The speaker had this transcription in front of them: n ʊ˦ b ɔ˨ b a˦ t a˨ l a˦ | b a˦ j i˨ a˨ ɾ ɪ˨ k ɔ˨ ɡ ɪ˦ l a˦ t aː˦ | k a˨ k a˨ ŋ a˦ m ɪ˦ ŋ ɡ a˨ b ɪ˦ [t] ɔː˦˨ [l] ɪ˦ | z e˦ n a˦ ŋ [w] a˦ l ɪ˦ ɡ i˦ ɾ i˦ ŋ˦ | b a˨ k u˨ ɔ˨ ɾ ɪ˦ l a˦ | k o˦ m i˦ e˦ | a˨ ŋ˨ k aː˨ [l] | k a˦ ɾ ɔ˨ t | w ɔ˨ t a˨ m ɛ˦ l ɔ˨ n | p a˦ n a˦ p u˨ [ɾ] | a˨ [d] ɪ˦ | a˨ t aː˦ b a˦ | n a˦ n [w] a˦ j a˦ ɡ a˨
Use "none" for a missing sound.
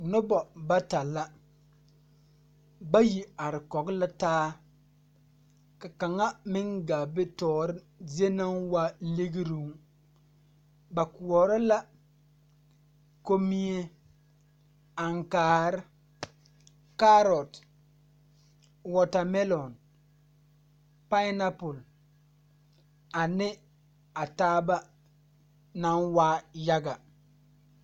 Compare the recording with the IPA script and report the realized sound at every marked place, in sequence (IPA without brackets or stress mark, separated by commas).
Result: t, ɾ, w, ɾ, l, n, w